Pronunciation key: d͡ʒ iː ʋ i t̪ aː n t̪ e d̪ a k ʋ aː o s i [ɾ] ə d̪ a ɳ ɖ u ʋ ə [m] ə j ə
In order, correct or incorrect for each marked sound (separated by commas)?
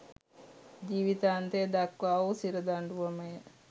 correct, correct